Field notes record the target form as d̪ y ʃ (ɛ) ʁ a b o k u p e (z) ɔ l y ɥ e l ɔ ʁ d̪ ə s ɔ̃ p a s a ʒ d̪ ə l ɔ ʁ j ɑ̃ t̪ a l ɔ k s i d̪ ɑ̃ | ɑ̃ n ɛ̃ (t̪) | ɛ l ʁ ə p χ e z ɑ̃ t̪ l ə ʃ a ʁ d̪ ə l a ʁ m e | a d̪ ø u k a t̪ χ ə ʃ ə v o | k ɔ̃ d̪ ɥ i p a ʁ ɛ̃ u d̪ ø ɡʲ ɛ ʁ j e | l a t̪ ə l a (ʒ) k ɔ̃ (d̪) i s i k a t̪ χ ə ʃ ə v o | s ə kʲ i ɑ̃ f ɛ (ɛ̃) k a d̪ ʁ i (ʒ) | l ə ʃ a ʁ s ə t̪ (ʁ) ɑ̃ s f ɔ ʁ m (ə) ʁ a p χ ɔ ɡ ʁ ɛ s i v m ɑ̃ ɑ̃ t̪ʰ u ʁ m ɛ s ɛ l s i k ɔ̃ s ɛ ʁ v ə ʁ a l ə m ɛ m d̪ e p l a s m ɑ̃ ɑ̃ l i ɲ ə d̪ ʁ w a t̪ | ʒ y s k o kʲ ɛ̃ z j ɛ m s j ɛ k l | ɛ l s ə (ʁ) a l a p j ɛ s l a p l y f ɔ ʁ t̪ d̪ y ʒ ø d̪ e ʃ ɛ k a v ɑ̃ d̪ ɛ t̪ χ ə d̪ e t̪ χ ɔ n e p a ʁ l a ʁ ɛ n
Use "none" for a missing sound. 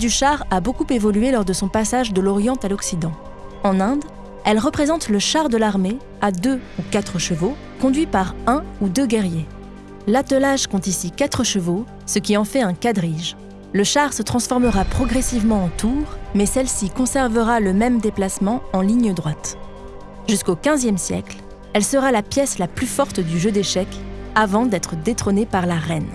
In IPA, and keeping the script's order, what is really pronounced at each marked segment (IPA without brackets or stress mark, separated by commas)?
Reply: a, v, d̪, ʒ, t̪, ɛ̃, ʒ, χ, ə, ʁ